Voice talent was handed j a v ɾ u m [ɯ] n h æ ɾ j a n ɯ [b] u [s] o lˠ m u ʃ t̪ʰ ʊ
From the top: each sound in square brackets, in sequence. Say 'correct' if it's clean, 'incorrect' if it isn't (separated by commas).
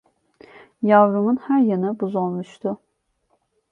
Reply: incorrect, correct, incorrect